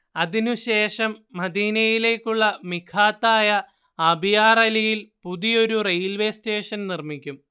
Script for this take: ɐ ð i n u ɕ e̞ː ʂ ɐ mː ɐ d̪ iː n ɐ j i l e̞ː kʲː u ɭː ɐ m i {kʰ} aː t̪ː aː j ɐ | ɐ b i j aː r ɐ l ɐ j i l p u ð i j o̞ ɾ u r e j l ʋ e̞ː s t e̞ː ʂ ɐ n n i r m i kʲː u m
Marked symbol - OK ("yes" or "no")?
yes